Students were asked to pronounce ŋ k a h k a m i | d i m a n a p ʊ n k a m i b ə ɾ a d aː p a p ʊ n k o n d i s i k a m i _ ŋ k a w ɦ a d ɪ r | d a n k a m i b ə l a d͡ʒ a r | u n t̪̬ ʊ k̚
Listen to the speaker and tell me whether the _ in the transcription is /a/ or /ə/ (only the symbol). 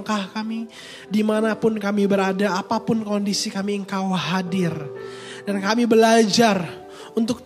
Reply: ə